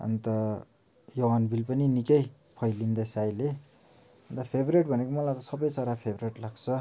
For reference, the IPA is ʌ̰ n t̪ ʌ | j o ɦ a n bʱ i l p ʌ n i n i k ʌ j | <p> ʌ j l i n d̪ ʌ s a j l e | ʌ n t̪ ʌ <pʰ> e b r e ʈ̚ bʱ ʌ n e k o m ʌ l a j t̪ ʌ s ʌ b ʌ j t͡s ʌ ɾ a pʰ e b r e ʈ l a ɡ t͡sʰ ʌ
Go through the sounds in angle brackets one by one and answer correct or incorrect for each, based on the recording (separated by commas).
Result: incorrect, correct